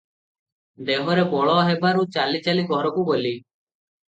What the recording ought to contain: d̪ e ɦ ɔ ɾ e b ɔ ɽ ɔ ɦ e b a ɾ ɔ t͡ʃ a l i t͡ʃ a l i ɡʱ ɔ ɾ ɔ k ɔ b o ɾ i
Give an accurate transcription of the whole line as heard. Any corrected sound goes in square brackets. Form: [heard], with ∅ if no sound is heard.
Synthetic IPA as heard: d̪ e ɦ ɔ ɾ e b ɔ [ɭ] ɔ ɦ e b a ɾ [u] t͡ʃ a l i t͡ʃ a l i ɡʱ ɔ ɾ ɔ k [u] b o [l] i

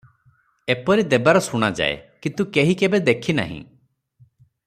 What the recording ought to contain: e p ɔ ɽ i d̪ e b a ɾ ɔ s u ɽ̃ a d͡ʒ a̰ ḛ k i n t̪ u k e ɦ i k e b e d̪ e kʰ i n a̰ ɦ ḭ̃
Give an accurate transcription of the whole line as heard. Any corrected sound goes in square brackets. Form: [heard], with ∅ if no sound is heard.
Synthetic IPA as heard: e p ɔ [ɾ] i d̪ e b a ɾ ɔ s u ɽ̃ a d͡ʒ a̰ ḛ k i n t̪ u k e ɦ i k e b e d̪ e kʰ i n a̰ ɦ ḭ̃

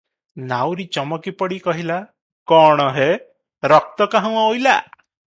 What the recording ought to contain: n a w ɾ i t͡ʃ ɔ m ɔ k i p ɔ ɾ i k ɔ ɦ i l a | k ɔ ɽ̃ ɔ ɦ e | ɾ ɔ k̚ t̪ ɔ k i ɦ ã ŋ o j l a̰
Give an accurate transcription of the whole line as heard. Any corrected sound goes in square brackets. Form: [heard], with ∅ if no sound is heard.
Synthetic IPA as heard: n a w ɾ i t͡ʃ ɔ m ɔ k i p ɔ [ɽ] i k ɔ ɦ i l a | k ɔ ɽ̃ ɔ ɦ e | ɾ ɔ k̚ t̪ ɔ k [a] ɦ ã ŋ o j l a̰

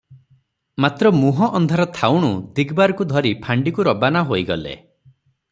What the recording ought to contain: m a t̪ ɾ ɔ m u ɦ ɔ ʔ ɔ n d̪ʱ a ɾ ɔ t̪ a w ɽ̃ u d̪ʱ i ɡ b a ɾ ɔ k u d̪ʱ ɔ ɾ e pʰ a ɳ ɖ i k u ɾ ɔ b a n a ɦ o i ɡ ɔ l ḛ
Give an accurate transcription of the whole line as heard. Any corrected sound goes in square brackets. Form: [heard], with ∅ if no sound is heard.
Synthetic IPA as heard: m a t̪ ɾ ɔ m u ɦ ɔ ʔ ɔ n d̪ʱ a ɾ ɔ [t̪ʰ] a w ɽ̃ u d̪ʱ i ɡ b a ɾ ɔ k u d̪ʱ ɔ ɾ [i] pʰ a ɳ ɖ i k u ɾ ɔ b a n a ɦ o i ɡ ɔ l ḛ

